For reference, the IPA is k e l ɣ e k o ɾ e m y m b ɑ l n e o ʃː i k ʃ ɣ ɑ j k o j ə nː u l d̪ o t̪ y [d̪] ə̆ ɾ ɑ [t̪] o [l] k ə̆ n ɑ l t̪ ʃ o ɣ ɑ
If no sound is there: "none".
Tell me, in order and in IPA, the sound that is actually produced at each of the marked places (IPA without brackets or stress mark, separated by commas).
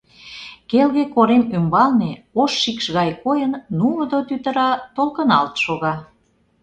t̪, t̪, l